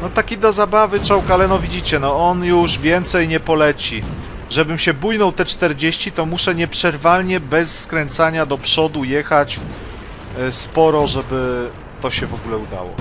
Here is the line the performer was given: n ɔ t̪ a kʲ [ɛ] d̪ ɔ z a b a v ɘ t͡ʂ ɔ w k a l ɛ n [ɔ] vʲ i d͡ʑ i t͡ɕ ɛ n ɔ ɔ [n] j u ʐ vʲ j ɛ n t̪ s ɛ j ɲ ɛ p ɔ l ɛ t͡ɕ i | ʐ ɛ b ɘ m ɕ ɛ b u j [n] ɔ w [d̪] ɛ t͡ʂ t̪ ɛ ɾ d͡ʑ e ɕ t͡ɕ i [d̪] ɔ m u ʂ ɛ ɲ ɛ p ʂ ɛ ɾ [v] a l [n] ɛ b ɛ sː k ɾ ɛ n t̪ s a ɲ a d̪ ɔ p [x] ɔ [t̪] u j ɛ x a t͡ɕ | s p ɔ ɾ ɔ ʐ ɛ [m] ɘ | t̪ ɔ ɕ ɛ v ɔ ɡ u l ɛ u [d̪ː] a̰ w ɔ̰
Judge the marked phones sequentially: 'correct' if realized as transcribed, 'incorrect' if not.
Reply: incorrect: i, correct, correct, correct, incorrect: t̪, incorrect: t̪, correct, incorrect: ɲ, incorrect: ʂ, incorrect: d̪, incorrect: b, incorrect: d̪

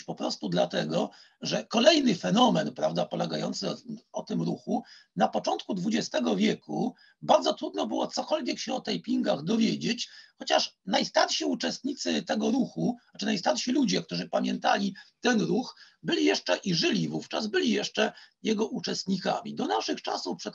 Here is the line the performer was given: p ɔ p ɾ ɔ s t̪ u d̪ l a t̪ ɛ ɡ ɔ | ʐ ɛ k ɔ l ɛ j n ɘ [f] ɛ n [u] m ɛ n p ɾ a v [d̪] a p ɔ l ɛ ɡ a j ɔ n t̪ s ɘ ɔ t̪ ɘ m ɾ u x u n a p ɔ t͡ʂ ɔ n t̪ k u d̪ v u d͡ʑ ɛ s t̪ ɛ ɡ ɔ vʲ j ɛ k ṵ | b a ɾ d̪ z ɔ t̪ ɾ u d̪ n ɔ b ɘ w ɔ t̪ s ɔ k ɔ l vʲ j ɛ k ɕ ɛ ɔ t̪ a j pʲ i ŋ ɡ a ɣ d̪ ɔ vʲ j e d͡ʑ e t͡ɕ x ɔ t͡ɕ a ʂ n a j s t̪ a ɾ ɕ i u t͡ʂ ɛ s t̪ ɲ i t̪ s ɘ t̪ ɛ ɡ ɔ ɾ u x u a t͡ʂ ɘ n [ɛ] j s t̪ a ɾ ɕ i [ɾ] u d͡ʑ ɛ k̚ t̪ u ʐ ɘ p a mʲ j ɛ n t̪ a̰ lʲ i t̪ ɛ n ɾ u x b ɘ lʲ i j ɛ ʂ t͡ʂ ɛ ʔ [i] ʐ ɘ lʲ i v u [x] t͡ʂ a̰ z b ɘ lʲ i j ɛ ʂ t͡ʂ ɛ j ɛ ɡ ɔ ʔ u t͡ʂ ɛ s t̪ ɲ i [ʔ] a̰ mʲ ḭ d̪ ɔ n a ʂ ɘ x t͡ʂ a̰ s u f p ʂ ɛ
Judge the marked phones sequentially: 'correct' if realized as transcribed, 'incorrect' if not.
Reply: correct, incorrect: ɔ, correct, incorrect: a, incorrect: l, correct, incorrect: f, incorrect: k

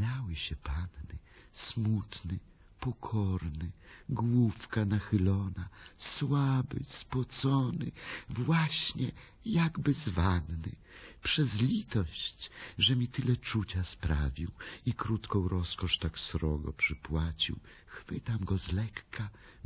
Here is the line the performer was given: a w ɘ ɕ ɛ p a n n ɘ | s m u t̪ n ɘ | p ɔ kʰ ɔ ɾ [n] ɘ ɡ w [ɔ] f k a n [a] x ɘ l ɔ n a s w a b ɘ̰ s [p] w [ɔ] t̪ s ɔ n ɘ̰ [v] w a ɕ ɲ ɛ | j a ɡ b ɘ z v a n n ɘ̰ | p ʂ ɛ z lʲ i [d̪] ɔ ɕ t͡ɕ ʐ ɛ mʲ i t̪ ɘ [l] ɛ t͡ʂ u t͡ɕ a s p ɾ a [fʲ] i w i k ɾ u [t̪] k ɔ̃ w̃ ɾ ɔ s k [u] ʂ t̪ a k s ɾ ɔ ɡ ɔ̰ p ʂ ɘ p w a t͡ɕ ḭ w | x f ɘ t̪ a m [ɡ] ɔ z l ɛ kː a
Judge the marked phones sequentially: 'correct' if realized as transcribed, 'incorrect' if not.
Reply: correct, incorrect: u, correct, correct, correct, correct, incorrect: t̪, correct, incorrect: vʲ, correct, incorrect: ɔ, correct

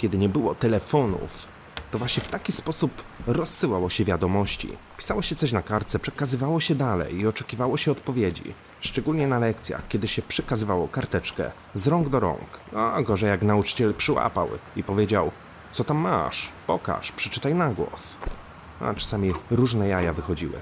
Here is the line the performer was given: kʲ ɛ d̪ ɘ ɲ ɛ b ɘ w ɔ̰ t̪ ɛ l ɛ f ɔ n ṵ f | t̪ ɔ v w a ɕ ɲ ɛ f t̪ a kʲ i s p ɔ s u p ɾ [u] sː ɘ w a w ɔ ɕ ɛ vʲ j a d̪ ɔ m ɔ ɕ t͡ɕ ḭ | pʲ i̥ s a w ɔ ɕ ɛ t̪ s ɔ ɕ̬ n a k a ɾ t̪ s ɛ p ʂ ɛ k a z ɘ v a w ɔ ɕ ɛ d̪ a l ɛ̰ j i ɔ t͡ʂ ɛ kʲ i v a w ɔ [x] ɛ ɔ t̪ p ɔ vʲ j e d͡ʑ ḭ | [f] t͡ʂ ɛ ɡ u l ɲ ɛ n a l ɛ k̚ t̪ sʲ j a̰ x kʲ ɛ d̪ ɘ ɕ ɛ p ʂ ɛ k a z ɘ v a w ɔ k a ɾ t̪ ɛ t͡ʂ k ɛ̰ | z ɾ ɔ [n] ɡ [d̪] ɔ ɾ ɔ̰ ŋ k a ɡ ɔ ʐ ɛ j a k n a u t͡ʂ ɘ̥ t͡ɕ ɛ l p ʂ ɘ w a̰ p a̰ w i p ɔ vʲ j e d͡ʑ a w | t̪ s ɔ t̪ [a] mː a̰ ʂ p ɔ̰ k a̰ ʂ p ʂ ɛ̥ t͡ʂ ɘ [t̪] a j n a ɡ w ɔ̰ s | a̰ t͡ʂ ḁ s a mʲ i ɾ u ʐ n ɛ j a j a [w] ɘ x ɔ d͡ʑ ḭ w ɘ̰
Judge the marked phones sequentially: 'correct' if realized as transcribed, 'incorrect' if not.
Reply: incorrect: ɔ, incorrect: ɕ, incorrect: ʂ, incorrect: ŋ, correct, correct, correct, incorrect: v

